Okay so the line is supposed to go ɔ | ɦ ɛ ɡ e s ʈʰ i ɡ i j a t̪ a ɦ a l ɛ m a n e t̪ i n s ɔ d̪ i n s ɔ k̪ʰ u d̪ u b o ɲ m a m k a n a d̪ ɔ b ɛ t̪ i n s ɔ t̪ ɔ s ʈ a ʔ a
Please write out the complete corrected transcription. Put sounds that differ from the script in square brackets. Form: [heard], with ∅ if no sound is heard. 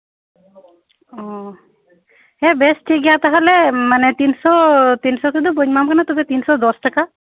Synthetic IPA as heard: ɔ | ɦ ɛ [b] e s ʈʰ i ɡ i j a t̪ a ɦ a l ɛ m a n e t̪ i n s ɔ [t̪] i n s ɔ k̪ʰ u d̪ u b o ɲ m a m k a n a [t̪] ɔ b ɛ t̪ i n s ɔ [d̪] ɔ s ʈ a [k] a